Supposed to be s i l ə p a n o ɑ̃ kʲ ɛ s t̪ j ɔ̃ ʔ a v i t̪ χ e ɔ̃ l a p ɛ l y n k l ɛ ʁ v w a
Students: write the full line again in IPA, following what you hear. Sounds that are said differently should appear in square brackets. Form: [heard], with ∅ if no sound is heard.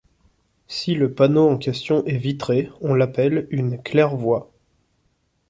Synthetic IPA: s i l ə p a n o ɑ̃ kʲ ɛ s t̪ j ɔ̃ ʔ [ɛ] v i t̪ χ e ɔ̃ l a p ɛ l y n k l ɛ ʁ v w a